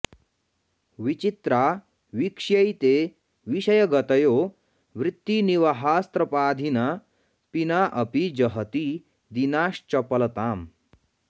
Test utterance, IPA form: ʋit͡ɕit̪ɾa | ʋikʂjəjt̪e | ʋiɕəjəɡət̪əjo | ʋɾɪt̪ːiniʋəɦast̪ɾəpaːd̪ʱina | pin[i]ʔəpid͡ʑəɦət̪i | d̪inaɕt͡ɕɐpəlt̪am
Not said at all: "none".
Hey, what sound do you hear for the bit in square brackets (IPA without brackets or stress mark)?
a